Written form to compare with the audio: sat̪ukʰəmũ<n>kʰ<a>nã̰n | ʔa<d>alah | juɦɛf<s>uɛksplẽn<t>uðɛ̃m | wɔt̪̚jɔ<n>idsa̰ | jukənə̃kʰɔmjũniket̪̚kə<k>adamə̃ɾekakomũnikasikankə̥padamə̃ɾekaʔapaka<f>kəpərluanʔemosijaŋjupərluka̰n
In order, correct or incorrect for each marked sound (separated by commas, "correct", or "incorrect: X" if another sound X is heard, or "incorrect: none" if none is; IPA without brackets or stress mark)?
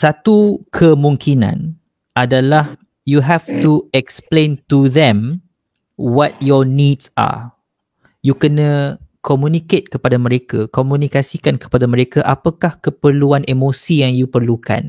incorrect: ŋ, incorrect: i, correct, incorrect: t, correct, correct, incorrect: p, incorrect: h